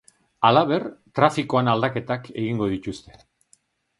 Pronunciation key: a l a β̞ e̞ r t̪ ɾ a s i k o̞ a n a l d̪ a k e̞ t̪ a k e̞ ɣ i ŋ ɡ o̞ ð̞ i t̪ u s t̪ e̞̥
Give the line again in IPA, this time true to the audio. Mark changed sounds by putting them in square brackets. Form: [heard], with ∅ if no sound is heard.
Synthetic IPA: a l a β̞ e̞ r t̪ ɾ a [f] i k o̞ a n a l d̪ a k e̞ t̪ a k e̞ ɣ i ŋ ɡ o̞ ð̞ i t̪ u s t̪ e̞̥